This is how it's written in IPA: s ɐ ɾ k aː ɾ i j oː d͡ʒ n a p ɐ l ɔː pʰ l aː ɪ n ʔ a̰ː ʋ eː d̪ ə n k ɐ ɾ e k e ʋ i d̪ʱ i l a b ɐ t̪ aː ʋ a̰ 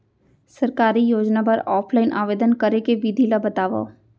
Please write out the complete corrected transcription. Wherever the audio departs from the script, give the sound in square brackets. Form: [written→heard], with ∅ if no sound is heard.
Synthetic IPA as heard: s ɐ ɾ k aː ɾ i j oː d͡ʒ n a p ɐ [l→ɾ] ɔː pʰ l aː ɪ n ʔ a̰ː ʋ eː d̪ ə n k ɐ ɾ e k e ʋ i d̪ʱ i l a b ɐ t̪ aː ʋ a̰